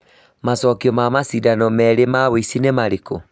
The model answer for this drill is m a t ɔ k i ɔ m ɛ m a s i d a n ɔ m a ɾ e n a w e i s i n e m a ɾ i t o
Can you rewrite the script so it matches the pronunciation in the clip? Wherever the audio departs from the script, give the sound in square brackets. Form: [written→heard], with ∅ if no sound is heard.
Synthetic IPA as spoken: m a [t→s] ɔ k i ɔ m [ɛ→a] m a s i d a n ɔ m [a→ɛ] ɾ e [n→m] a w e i s i n e m a ɾ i [t→k] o